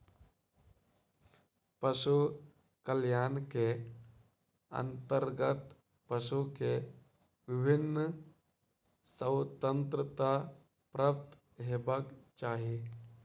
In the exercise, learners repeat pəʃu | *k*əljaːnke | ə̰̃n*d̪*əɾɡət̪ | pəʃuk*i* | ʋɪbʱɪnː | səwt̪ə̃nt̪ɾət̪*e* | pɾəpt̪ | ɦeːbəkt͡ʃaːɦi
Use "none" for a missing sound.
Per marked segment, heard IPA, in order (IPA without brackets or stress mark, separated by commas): k, t̪, e, a